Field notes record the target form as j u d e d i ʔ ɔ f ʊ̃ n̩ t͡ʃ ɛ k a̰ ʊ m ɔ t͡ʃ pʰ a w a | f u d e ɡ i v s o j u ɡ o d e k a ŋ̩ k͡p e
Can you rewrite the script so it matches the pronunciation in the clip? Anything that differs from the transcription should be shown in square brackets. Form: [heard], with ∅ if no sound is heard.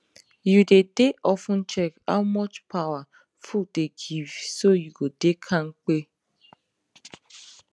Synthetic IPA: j u d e d [e] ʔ ɔ f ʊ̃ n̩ t͡ʃ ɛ k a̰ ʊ m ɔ t͡ʃ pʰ a w a | f u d e ɡ i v s o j u ɡ o d e [kʰ] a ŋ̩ k͡p e